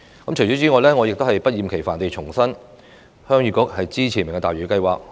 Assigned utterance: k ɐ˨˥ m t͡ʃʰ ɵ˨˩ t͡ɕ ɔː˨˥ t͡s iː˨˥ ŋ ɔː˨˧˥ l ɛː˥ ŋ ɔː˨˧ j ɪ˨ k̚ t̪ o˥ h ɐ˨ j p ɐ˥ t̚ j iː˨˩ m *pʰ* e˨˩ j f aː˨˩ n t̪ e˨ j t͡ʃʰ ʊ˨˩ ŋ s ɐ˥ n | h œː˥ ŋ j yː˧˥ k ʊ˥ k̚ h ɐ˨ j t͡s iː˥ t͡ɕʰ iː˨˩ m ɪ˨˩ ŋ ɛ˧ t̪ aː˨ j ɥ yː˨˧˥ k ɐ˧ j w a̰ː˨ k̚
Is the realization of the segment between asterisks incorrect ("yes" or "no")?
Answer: yes